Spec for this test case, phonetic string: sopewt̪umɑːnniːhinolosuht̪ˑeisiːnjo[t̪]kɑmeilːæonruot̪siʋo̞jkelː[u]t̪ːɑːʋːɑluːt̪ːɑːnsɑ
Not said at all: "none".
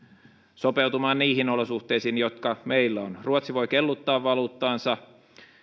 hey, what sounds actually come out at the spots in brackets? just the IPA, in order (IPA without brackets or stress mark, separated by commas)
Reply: t̪, u